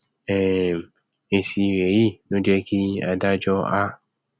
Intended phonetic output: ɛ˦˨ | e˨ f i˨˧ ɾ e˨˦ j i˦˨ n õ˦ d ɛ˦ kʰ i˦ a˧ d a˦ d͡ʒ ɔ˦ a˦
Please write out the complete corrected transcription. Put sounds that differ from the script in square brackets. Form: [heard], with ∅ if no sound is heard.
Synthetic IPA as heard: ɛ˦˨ | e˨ [s] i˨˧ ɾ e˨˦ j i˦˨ n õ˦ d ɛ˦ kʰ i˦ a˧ d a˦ d͡ʒ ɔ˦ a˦